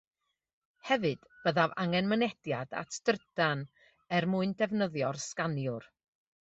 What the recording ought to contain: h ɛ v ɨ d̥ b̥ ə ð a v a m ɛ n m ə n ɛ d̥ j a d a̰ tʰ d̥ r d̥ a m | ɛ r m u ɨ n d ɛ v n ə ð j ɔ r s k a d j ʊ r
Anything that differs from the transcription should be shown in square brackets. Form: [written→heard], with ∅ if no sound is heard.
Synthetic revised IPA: h ɛ v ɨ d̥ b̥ ə ð a v a [m→ŋ] ɛ n m ə n ɛ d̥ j a d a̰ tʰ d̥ r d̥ a [m→n] | ɛ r m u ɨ n d ɛ v n ə ð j ɔ r s k a [d→n] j ʊ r